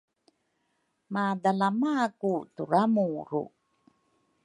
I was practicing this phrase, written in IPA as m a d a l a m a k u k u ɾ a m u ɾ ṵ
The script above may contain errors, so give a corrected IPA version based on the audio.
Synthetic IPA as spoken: m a d a l a m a k u t u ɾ a m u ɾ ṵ